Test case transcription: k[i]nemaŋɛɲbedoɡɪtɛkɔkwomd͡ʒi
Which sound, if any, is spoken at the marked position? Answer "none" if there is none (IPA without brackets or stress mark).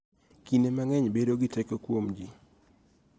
i